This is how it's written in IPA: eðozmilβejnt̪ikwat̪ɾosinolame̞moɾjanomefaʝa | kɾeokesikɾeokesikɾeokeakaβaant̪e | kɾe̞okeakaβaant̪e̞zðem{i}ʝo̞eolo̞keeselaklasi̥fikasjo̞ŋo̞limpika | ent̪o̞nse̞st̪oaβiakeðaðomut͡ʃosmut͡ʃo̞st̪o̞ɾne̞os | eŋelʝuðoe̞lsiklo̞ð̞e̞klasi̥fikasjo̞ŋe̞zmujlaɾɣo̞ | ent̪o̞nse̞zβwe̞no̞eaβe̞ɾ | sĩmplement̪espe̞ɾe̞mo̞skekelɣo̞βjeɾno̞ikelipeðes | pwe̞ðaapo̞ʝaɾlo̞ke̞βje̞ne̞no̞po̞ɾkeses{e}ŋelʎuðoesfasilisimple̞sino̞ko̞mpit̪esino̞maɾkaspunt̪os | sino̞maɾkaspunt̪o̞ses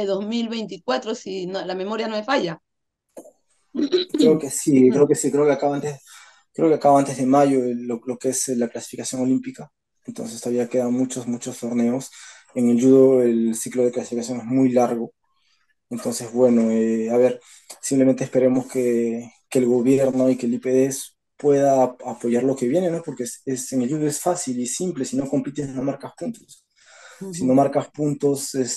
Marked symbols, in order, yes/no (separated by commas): no, yes